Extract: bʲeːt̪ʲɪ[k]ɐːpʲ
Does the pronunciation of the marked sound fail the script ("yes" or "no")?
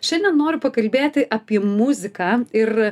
yes